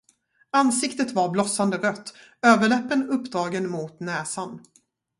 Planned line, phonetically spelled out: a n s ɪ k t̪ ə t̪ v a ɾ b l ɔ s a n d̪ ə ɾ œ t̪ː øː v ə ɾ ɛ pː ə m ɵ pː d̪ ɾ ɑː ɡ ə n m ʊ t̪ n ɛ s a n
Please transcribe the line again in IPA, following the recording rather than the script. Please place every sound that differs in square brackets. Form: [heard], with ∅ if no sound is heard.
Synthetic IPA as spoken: a n s ɪ k t̪ ə t̪ v a ɾ b l ɔ s a n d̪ ə ɾ œ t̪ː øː v ə [ɭ] ɛ pː ə [n] ɵ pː d̪ ɾ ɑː ɡ ə n m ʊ t̪ n [ɛː] s a n